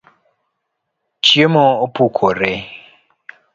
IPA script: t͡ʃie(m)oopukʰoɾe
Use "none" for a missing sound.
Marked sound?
m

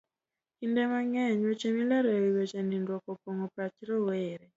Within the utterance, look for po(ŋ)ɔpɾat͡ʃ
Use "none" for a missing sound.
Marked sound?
ŋ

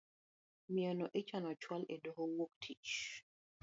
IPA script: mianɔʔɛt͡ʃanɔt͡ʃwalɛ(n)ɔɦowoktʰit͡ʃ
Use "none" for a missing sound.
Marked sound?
d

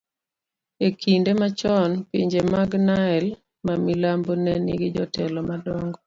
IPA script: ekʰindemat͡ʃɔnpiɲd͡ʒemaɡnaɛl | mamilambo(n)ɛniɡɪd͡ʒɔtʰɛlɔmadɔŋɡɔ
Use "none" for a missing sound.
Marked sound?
n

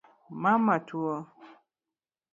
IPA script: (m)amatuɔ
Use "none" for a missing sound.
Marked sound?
m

